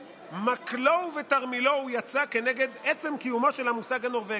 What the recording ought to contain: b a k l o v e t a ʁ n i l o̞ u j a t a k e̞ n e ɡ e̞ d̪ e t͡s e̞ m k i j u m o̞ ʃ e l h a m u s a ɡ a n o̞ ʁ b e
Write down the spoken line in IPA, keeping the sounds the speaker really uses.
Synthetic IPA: m a k l o v e t a ʁ m i l o̞ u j a t͡s a k e̞ n e ɡ e̞ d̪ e t͡s e̞ m k i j u m o̞ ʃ e l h a m u s a ɡ a n o̞ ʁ v e